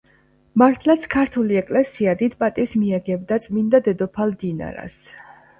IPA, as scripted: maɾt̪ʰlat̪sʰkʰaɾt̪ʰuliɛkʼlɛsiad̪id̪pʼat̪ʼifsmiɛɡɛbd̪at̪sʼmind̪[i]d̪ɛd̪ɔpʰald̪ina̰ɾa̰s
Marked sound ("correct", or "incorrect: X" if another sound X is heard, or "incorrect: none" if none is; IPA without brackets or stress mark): incorrect: a